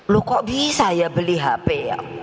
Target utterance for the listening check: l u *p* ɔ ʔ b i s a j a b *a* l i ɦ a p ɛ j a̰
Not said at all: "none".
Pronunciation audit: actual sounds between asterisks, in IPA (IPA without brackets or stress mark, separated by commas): k, ə